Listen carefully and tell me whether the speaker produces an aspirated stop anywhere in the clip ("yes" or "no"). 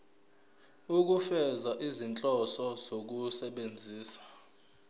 no